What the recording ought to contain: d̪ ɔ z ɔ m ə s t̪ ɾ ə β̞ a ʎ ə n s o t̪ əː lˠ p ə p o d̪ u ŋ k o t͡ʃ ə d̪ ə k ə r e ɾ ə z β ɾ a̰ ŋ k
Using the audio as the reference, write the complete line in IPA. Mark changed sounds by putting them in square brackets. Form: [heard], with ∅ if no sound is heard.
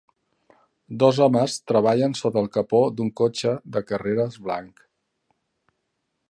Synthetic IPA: d̪ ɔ z ɔ m ə s t̪ ɾ ə β̞ a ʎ ə n s o t̪ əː lˠ [k] ə p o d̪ u ŋ k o t͡ʃ ə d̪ ə k ə r e ɾ ə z β [l] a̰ ŋ k